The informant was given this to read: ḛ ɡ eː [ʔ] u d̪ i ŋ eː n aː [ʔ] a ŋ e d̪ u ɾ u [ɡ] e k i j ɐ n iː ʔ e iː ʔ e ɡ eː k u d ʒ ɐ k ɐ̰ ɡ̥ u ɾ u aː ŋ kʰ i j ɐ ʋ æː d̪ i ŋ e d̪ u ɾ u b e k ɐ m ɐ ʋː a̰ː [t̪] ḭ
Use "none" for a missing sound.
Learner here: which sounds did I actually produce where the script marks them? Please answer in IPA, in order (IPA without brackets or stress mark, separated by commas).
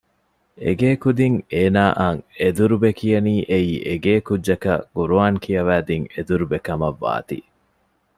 k, ʔ, b, t̪